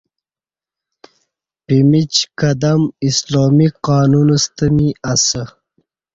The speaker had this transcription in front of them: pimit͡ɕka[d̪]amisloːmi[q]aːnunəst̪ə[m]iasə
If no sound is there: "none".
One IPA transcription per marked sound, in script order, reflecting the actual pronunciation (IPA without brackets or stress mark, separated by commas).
d̪, q, m